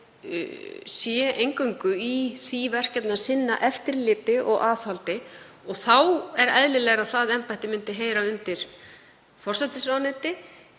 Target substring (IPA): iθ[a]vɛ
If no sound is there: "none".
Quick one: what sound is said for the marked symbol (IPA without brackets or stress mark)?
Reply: i